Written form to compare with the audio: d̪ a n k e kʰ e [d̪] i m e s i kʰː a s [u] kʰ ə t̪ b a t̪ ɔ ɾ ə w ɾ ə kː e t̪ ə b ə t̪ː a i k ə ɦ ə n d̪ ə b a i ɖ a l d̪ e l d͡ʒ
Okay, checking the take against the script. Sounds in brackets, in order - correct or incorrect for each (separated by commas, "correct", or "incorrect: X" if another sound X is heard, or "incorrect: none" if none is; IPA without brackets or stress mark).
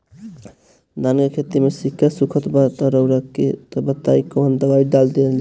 incorrect: t̪, correct